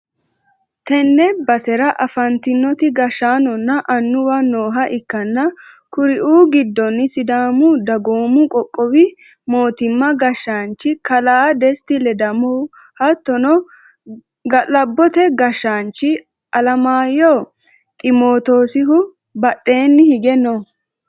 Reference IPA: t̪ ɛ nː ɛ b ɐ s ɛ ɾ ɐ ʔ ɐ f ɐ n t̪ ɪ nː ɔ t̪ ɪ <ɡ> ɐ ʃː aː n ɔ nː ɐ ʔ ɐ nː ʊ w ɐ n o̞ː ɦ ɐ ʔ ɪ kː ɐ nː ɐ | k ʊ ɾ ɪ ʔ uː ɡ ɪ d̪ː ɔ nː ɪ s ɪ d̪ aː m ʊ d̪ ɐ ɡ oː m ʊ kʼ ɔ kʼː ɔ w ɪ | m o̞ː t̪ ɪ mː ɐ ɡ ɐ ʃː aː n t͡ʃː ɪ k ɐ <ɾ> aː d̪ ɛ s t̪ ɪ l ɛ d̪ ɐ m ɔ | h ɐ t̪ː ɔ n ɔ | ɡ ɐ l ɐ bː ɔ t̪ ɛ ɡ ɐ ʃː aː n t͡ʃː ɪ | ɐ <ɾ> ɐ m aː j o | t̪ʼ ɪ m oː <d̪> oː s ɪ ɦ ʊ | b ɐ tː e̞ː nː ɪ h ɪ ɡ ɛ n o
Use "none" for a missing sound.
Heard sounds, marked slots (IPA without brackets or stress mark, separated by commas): ɡ, l, l, t̪